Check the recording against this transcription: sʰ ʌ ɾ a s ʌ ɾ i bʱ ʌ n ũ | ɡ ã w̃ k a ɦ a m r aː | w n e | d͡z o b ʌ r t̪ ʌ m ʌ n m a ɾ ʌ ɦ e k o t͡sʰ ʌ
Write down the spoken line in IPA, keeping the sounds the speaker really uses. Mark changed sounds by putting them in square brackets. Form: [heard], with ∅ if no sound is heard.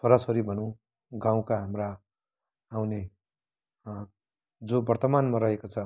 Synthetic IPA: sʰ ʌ ɾ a s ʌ ɾ i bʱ ʌ n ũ | ɡ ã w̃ k a ɦ a m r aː | w n e | d͡z o b ʌ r t̪ ʌ m [a] n m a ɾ ʌ ɦ e k o t͡sʰ ʌ